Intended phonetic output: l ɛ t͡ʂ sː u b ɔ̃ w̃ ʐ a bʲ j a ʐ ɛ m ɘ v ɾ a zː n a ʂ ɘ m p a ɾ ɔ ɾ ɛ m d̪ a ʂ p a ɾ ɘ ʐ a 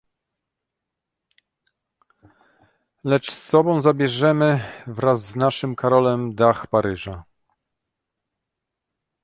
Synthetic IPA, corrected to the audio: l ɛ t͡ʂ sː ɔ b ɔ̃ w̃ z a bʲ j ɛ ʐ ɛ m ɘ v ɾ a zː n a ʂ ɘ m k a ɾ ɔ l ɛ m d̪ a x p a ɾ ɘ ʐ a

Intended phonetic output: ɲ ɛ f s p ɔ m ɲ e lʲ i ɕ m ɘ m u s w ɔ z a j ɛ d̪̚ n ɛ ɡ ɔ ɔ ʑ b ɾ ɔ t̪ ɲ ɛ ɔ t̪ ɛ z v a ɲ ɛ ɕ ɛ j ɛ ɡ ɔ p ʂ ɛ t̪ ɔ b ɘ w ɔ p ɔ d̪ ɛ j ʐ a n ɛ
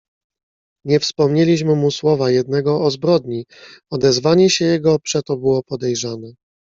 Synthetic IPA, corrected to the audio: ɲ ɛ f s p ɔ m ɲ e lʲ i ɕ m ɘ m u s w ɔ v a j ɛ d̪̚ n ɛ ɡ ɔ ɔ z b ɾ ɔ d̪ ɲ i ɔ d̪ ɛ z v a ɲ ɛ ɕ ɛ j ɛ ɡ ɔ p ʂ ɛ t̪ ɔ b ɘ w ɔ p ɔ d̪ ɛ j ʐ a n ɛ

